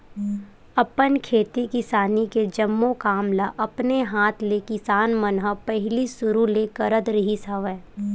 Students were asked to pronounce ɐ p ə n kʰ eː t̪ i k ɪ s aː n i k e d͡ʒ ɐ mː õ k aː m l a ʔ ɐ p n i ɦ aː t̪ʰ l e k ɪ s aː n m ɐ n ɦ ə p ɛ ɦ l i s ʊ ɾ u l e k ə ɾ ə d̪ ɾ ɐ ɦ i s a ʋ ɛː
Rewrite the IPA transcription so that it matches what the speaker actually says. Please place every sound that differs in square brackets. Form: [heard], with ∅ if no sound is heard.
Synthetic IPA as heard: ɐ p ə n kʰ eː t̪ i k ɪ s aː n i k e d͡ʒ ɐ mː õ k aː m l a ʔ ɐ p n [e] ɦ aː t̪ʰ l e k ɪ s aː n m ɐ n ɦ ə p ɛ ɦ l i s ʊ ɾ u l e k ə ɾ ə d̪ ɾ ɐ ɦ i s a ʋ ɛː